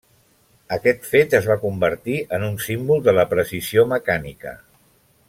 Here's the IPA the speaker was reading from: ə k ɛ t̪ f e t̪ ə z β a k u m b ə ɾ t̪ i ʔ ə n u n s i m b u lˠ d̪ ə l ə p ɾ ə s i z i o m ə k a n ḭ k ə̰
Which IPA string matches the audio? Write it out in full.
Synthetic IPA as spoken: ə k ɛ t̪ f e t̪ ə z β a k u m b ə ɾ t̪ i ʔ ə n u n s i m b u lˠ d̪ ə l ə p ɾ ə s i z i o m ə k a n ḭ k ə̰